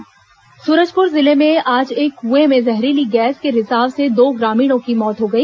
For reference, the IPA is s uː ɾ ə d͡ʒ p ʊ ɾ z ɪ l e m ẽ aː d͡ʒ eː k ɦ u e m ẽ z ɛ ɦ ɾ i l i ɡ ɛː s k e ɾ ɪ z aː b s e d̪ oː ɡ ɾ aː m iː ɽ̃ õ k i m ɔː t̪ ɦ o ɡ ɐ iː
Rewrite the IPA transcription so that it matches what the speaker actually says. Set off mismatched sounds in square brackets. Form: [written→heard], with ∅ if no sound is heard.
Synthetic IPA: s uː ɾ ə d͡ʒ p ʊ ɾ z ɪ l e m ẽ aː d͡ʒ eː k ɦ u e m ẽ z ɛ ɦ ɾ i l i ɡ ɛː s k e ɾ ɪ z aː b s e d̪ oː ɡ ɾ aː m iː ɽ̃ õ k i m ɔː t̪ ɦ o ɡ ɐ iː